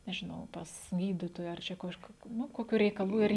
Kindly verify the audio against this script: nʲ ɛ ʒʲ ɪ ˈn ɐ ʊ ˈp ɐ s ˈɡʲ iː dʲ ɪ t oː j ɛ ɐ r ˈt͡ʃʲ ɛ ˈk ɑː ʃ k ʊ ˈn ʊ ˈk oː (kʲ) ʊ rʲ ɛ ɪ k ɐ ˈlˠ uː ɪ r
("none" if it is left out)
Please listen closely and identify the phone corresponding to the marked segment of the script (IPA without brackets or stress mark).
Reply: kʲ